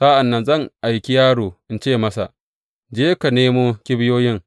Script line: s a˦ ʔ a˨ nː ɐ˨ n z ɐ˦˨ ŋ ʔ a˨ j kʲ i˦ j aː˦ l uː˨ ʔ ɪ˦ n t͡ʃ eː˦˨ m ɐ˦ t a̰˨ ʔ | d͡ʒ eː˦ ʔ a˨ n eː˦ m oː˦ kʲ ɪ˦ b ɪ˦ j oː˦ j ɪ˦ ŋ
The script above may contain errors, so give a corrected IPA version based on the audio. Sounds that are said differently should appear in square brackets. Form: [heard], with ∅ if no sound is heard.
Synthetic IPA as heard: s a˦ ʔ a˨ nː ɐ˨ n z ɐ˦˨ ŋ ʔ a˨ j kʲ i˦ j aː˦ [ɽ] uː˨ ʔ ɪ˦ n t͡ʃ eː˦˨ m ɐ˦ [s] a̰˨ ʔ | d͡ʒ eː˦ [k] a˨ n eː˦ m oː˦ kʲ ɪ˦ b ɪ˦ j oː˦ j ɪ˦ ŋ